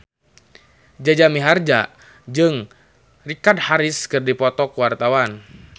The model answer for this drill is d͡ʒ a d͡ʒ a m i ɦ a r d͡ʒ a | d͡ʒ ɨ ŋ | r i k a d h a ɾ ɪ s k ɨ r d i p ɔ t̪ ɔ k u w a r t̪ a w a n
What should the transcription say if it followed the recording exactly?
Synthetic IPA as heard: d͡ʒ a d͡ʒ a m i ɦ a r d͡ʒ a | d͡ʒ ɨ ŋ | r i k a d h a ɾ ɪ s k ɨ r d i p ɔ t̪ ɔ k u w a r t̪ a w a n